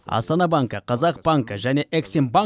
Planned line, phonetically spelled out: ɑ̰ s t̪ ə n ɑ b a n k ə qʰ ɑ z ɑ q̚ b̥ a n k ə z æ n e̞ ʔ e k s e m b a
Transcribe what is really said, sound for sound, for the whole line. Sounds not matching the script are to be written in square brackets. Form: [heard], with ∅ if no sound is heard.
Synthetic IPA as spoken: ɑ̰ s t̪ [ɑ] n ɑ b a [ŋ] k ə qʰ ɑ z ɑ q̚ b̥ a [ŋ] k ə [ʒ] æ n e̞ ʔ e k s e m b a